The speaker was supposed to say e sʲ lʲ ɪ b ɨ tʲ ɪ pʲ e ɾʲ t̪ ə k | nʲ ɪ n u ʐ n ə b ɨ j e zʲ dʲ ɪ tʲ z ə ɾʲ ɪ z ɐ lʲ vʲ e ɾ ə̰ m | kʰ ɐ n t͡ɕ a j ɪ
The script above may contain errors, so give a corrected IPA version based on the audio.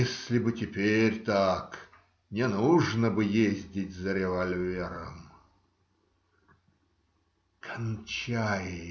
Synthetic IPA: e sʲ lʲ ɪ b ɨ tʲ ɪ pʲ e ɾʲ t̪ a k | nʲ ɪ n u ʐ n ə b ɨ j e zʲ dʲ ɪ tʲ z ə ɾʲ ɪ v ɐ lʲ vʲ e ɾ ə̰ m | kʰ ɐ n t͡ɕ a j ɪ